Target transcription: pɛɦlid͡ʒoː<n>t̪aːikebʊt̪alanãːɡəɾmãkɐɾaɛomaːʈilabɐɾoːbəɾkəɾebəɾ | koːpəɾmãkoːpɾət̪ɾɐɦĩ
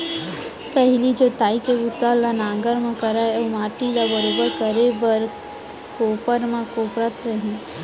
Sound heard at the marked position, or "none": none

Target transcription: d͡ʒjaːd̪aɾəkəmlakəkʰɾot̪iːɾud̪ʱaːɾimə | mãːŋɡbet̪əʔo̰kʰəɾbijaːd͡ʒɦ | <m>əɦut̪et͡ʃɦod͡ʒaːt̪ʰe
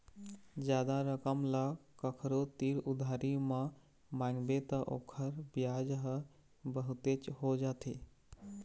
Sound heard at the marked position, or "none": b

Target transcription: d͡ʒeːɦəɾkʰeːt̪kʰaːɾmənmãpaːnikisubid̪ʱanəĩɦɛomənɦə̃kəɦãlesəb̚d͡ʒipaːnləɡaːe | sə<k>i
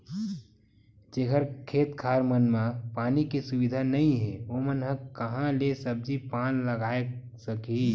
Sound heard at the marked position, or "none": k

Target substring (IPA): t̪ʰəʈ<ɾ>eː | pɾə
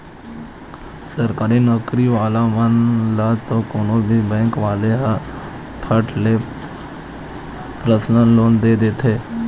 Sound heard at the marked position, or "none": l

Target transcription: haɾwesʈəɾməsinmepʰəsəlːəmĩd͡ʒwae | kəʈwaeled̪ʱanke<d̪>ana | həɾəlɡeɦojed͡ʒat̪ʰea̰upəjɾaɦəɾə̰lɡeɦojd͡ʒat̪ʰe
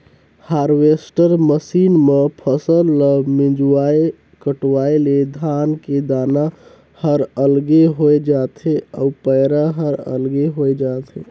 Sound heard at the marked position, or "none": d̪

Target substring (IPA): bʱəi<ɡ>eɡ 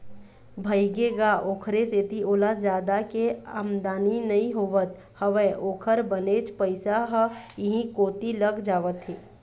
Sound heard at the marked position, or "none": ɡ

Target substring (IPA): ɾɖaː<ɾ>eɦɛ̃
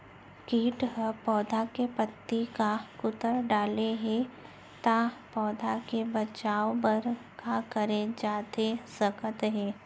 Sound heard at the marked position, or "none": l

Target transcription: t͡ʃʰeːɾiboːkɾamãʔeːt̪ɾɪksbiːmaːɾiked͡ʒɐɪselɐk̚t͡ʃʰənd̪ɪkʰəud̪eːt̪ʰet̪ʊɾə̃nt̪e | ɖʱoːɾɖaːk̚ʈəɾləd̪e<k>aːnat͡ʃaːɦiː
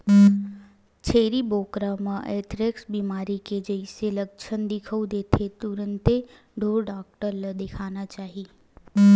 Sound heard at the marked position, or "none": kʰ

